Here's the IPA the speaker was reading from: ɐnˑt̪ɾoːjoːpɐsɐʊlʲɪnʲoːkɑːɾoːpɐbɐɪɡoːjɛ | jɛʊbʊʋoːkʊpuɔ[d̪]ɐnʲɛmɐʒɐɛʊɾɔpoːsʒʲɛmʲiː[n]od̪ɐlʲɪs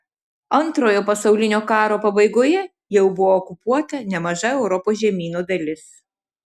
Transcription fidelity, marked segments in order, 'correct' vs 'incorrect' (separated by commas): incorrect, correct